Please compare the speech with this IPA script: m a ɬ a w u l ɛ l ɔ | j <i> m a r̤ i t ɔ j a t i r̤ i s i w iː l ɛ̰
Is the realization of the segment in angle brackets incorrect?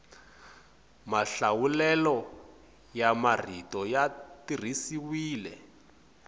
yes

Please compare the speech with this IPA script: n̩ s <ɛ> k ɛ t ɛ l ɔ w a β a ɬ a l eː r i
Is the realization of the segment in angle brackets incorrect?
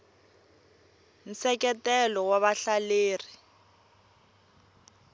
no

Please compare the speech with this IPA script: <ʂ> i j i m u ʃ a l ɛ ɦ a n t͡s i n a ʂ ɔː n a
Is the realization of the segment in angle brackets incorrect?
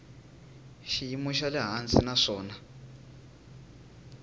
yes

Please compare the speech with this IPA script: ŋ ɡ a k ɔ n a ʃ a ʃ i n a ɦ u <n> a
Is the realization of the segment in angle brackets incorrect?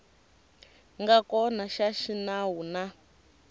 no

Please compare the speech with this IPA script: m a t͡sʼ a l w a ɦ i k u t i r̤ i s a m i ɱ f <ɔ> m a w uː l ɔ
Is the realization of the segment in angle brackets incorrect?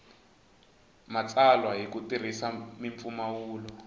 yes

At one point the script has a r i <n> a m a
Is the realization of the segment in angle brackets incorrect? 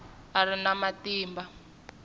no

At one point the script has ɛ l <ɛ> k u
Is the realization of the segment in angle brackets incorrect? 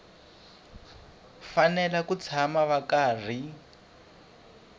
yes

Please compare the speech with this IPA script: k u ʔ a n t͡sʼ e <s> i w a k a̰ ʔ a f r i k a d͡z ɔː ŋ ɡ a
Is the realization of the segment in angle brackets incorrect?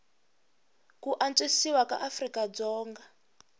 no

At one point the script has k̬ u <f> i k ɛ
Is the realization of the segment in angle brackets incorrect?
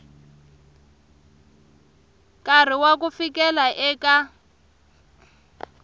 no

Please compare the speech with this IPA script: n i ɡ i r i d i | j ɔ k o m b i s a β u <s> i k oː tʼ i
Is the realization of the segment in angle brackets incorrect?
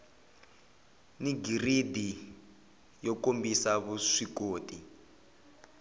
yes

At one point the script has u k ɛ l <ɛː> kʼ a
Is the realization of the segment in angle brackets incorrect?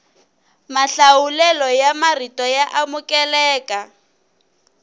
no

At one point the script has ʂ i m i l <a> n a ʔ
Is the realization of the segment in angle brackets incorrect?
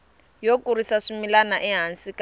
no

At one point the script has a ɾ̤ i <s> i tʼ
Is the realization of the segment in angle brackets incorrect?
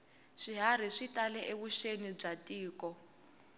yes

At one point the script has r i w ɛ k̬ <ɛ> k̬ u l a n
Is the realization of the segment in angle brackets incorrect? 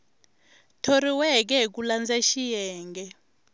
no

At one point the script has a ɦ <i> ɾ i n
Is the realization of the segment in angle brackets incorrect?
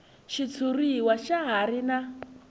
yes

